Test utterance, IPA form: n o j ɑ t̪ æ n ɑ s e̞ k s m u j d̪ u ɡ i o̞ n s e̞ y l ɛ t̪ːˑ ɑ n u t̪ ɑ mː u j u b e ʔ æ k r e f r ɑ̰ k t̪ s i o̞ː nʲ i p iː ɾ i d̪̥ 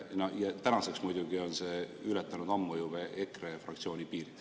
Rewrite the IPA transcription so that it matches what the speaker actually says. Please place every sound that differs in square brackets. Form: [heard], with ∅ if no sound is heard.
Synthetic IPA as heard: n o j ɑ t̪ æ n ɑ s e̞ k s m u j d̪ u ɡ i o̞ n s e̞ y l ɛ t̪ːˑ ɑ n u [d̪] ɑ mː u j u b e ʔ [e] k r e f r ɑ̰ k t̪ s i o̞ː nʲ i p iː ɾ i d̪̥